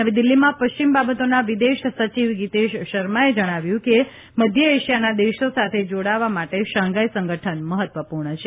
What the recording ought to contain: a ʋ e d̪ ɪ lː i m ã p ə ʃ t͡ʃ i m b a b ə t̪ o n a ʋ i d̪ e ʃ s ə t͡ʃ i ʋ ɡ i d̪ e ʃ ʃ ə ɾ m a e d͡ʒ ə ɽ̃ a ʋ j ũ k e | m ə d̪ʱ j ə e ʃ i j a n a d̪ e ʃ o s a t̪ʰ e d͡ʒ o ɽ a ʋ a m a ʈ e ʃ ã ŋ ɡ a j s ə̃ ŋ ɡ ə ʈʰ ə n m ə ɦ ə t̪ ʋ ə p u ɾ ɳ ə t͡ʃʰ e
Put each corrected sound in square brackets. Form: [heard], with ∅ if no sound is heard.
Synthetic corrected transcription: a ʋ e d̪ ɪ lː i m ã p ə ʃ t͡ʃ i m b a b ə t̪ o n a ʋ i d̪ e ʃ s ə t͡ʃ i ʋ ɡ i [t̪] e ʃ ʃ ə ɾ m a e d͡ʒ ə ɽ̃ a ʋ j ũ k e | m ə d̪ʱ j ə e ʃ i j a n a d̪ e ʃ o s a t̪ʰ e d͡ʒ o ɽ a ʋ a m a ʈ e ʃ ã ŋ ɡ a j s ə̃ ŋ ɡ ə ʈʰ ə n m ə ɦ ə t̪ ʋ ə p u ɾ ɳ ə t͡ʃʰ e